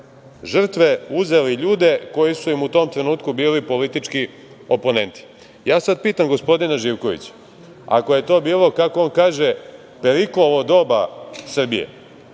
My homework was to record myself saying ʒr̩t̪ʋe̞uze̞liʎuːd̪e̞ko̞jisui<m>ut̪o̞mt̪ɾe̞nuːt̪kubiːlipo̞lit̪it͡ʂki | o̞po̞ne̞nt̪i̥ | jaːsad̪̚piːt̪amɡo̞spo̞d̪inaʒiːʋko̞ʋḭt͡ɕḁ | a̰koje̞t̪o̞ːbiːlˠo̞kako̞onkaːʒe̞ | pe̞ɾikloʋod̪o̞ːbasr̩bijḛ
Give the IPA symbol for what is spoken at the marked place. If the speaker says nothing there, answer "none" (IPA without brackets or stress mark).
m